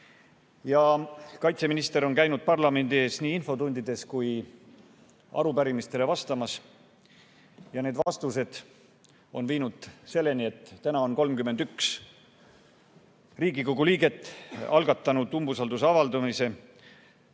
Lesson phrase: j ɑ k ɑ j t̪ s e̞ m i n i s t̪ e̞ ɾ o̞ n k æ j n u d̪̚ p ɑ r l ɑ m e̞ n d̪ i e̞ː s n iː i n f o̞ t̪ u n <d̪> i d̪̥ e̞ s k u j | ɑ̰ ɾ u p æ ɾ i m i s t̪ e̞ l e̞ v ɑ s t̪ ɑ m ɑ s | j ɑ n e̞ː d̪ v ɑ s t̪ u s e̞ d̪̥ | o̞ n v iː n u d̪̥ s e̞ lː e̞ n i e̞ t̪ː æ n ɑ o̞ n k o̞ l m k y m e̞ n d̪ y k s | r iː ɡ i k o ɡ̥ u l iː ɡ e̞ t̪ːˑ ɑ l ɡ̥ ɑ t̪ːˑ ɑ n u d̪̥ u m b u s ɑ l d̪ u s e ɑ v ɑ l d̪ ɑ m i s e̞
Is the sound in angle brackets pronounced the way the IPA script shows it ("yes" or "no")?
yes